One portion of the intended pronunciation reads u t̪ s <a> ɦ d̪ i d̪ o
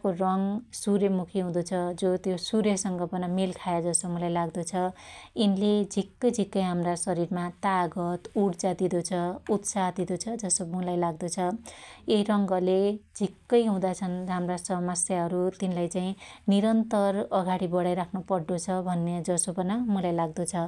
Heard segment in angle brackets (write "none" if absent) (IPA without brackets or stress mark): a